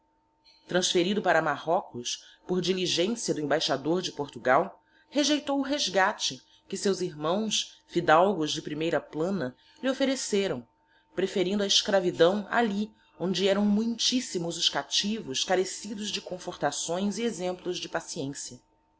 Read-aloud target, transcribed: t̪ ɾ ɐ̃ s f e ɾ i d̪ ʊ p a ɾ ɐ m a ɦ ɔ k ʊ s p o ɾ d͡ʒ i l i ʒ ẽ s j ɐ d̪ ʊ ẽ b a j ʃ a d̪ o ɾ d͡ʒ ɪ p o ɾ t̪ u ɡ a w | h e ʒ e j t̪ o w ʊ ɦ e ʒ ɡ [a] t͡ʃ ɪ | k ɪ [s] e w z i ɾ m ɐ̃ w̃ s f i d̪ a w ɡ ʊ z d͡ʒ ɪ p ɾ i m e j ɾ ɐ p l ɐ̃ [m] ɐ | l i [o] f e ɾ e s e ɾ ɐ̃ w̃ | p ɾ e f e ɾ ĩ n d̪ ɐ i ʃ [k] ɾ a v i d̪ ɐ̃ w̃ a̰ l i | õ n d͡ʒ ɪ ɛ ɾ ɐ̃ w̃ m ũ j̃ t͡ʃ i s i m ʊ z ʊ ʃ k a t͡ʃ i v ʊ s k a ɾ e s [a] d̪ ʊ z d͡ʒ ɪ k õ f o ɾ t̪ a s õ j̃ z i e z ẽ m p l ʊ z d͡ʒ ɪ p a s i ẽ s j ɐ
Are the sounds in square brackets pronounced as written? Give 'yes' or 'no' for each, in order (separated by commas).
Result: yes, yes, no, yes, yes, no